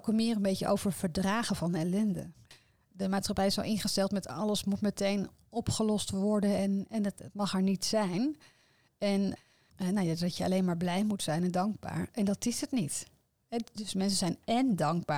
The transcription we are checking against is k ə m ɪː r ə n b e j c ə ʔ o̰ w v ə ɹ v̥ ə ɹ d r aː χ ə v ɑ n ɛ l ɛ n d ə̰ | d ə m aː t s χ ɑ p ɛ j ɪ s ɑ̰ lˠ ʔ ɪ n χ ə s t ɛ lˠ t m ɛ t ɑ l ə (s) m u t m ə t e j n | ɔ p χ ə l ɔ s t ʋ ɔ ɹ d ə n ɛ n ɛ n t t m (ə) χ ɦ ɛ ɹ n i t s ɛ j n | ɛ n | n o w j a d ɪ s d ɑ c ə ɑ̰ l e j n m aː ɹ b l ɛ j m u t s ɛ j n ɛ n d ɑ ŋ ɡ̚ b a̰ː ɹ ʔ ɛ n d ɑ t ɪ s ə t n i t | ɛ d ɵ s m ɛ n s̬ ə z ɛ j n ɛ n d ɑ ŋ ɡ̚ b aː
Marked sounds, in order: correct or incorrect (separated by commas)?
correct, incorrect